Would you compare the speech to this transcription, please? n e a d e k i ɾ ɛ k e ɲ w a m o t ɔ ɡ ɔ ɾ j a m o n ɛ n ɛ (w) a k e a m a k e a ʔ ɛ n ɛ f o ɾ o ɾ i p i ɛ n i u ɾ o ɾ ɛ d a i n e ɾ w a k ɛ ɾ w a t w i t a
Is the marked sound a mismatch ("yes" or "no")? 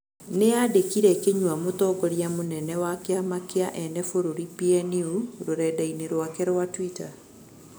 no